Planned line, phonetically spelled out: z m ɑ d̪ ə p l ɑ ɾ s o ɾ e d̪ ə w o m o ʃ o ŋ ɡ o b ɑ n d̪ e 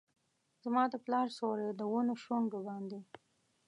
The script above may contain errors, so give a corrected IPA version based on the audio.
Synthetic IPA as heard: z m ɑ d̪ ə p l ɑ ɾ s o ɾ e d̪ ə w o n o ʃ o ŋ ɡ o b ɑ n d̪ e